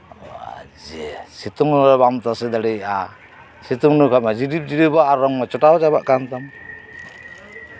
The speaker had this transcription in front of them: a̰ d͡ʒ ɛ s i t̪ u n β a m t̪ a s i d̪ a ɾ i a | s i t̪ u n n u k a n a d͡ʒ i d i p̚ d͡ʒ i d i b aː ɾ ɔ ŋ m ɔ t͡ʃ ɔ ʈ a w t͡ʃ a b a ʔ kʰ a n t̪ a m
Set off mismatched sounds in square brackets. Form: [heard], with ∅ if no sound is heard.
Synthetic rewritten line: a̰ d͡ʒ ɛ s i t̪ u [ŋ] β a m t̪ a s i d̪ a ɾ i a | s i t̪ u [ŋ] n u k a [m] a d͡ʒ i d i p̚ d͡ʒ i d i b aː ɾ ɔ ŋ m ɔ t͡ʃ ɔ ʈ a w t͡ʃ a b a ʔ [k] a n t̪ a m